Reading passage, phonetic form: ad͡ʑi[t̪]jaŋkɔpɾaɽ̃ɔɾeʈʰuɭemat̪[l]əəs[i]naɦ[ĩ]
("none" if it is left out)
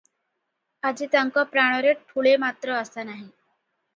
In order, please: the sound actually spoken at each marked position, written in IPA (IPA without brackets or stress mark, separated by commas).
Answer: t̪, ɾ, a, i